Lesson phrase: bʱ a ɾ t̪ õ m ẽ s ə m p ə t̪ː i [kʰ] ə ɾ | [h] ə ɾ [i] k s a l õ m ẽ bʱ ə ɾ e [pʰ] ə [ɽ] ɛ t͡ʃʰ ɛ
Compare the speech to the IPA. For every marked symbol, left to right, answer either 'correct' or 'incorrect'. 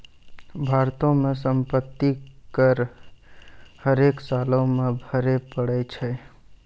incorrect: k, correct, incorrect: e, incorrect: p, correct

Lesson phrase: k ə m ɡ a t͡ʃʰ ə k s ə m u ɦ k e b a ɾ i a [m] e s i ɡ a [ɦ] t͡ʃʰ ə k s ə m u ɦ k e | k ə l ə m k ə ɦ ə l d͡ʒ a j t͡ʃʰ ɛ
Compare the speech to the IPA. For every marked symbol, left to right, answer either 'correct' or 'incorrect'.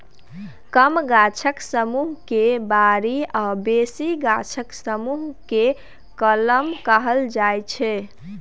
incorrect: b, incorrect: none

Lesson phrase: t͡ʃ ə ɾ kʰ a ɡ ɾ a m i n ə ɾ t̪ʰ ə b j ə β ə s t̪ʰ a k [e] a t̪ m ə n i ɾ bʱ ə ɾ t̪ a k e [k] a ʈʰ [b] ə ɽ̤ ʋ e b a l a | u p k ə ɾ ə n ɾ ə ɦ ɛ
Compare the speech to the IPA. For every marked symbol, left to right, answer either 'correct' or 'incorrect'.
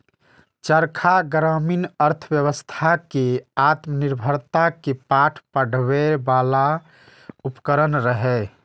correct, incorrect: p, incorrect: p

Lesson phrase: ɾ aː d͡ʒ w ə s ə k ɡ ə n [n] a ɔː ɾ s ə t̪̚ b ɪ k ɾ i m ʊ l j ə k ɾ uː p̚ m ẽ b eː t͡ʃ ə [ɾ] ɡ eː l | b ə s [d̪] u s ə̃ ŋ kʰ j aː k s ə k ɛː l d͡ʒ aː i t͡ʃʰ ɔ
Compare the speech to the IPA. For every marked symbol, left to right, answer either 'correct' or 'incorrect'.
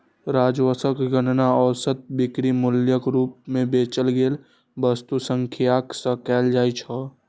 correct, incorrect: l, incorrect: t̪

